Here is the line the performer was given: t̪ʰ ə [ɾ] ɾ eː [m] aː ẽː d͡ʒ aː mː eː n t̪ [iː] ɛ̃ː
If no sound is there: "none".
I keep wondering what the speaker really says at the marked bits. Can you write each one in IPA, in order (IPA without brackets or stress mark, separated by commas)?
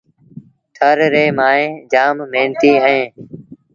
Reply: ɾ, m, iː